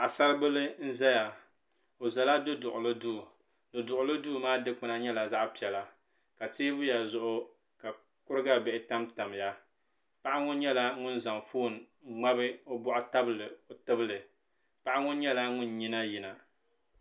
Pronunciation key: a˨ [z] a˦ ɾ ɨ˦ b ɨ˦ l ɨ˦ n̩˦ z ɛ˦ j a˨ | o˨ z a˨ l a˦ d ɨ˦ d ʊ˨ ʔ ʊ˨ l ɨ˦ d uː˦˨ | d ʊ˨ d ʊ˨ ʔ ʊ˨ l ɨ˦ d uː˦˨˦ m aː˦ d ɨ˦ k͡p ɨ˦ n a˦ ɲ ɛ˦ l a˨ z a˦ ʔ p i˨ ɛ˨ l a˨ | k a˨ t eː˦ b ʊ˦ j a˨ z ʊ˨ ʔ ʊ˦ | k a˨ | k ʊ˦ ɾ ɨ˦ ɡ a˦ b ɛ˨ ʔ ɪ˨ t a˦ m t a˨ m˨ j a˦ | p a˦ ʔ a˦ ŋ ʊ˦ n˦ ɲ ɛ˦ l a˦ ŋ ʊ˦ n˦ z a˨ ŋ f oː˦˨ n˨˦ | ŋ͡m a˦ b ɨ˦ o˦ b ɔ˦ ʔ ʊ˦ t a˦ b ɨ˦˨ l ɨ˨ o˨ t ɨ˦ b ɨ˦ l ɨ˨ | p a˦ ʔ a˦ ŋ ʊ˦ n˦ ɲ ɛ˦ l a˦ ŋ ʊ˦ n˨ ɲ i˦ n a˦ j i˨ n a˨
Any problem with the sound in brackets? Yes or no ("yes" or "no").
yes